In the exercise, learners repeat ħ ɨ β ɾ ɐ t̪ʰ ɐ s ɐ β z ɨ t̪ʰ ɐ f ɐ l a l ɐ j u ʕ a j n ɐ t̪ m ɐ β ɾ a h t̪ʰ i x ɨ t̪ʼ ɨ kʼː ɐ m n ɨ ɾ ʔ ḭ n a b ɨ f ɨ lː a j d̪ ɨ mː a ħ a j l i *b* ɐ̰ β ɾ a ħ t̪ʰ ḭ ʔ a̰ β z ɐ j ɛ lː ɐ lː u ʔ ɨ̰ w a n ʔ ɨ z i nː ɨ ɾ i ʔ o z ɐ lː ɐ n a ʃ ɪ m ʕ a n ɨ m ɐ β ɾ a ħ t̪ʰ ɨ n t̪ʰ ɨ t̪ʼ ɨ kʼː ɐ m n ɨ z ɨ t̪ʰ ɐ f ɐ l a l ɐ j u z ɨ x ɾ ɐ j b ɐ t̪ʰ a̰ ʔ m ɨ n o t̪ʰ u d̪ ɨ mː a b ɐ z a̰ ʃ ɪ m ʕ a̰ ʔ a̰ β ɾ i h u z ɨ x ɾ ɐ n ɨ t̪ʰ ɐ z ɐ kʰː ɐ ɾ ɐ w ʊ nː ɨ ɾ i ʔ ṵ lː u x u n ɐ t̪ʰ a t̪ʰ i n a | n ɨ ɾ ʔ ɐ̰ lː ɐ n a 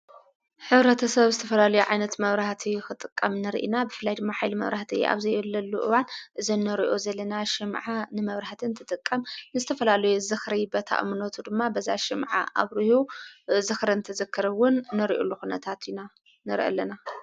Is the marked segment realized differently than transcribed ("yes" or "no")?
yes